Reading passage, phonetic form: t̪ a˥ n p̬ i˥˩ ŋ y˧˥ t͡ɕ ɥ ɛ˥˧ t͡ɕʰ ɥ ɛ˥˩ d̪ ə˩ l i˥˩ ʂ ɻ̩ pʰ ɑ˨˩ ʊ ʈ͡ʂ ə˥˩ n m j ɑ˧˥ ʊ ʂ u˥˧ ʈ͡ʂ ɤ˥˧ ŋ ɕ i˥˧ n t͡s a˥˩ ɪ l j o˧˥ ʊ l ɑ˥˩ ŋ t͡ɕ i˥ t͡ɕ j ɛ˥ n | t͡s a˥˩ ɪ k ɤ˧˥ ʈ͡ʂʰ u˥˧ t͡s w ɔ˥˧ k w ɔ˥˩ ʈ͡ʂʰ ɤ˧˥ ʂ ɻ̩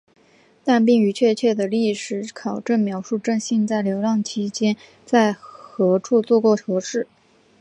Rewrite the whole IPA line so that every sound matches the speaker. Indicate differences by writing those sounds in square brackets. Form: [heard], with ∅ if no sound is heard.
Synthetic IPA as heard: t̪ [a˥˧] n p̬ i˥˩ ŋ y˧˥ [t͡ɕʰ] ɥ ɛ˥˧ t͡ɕʰ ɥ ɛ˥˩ d̪ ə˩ l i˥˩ ʂ ɻ̩ [kʰ] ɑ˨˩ ʊ ʈ͡ʂ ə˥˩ n m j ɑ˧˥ ʊ ʂ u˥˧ ʈ͡ʂ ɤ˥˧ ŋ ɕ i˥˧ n t͡s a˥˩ ɪ l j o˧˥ ʊ l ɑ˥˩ ŋ [t͡ɕʰ] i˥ t͡ɕ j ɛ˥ n | t͡s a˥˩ ɪ [x] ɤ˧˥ ʈ͡ʂʰ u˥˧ t͡s w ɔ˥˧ k w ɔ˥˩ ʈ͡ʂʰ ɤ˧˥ ʂ ɻ̩